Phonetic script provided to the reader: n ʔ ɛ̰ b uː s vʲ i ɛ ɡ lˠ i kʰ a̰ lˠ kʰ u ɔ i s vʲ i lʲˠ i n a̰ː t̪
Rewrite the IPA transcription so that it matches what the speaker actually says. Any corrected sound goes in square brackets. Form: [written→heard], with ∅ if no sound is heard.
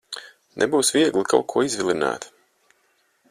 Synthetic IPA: n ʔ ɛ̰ b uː s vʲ i ɛ ɡ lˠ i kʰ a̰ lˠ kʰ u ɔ i [s→z] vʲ i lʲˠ i n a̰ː t̪